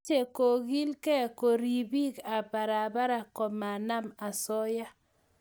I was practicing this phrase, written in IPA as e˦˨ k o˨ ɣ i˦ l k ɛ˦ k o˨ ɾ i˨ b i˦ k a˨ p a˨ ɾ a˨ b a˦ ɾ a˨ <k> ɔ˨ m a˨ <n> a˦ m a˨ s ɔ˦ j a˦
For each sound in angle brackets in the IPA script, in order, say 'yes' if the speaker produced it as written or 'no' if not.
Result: yes, yes

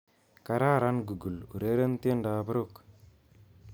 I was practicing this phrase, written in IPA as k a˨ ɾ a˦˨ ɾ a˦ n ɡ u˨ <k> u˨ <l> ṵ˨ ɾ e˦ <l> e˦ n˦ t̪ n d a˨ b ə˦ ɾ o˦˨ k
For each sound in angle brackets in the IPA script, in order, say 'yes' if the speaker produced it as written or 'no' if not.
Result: no, yes, no

